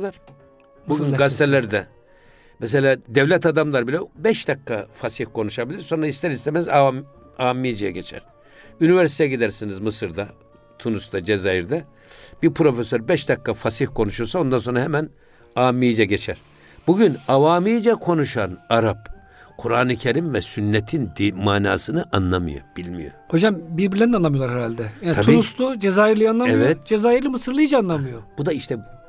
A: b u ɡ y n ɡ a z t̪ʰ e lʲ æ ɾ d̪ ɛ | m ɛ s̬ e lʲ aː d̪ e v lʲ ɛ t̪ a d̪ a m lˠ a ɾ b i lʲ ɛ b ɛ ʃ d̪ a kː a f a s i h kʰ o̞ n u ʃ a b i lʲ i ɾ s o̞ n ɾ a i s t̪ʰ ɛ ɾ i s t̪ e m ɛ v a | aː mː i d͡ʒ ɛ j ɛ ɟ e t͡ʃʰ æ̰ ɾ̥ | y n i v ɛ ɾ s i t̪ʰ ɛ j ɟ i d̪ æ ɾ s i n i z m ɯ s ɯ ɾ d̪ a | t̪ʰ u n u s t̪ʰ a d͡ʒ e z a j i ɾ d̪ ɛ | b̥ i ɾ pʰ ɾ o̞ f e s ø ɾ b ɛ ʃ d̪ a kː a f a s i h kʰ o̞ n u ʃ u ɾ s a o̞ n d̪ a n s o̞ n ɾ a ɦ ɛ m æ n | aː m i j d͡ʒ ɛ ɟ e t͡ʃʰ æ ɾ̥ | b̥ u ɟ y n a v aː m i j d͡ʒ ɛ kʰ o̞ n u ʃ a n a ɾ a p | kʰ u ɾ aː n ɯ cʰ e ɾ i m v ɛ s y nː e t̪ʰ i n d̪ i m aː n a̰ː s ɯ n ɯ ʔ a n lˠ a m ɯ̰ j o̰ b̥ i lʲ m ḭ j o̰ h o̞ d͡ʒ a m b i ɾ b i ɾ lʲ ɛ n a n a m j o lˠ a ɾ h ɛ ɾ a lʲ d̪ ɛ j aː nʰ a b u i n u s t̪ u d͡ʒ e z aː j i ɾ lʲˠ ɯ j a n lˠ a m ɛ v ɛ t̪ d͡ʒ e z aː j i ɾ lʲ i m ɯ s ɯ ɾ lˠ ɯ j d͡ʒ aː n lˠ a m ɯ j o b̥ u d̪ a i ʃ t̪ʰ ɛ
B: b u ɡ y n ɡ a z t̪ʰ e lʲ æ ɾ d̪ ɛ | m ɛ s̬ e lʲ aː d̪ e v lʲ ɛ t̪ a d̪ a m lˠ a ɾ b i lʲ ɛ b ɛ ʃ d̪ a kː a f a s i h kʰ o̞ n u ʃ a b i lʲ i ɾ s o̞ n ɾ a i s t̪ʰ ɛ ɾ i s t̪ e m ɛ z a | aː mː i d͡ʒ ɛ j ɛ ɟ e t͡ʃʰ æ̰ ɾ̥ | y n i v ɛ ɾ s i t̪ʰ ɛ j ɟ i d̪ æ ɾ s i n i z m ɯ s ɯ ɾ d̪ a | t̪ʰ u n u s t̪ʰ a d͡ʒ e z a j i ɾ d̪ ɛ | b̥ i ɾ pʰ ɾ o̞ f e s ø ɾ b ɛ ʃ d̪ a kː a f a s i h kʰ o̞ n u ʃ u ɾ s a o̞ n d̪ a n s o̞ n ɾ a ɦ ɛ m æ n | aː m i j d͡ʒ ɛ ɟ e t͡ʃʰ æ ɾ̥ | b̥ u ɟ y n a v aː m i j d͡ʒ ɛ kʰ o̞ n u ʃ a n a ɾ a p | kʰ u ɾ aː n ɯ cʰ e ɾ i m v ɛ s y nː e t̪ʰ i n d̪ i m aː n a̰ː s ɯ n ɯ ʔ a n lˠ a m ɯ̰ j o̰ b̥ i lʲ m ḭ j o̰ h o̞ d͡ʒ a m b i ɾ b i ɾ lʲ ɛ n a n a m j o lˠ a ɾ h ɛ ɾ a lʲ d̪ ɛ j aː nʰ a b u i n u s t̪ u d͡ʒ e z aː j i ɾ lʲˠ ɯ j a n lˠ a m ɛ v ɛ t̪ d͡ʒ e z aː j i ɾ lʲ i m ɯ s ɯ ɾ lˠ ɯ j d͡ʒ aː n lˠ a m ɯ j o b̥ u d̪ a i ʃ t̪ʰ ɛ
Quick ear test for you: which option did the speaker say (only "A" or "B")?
B